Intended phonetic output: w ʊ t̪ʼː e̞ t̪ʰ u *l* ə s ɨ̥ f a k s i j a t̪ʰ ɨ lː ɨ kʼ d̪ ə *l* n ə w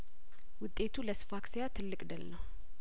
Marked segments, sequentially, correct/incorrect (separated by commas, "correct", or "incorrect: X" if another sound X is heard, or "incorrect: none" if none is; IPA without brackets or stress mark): correct, correct